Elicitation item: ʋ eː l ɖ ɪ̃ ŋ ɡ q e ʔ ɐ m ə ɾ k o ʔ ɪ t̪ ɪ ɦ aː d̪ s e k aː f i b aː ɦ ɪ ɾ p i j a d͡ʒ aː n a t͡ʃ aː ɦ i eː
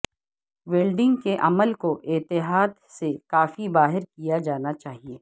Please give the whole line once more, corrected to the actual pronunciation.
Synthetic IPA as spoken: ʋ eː l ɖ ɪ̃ ŋ ɡ k e ʔ ɐ m ə l k o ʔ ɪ t̪ ɪ ɦ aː d̪ s e k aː f i b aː ɦ ɪ ɾ k i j a d͡ʒ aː n a t͡ʃ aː ɦ i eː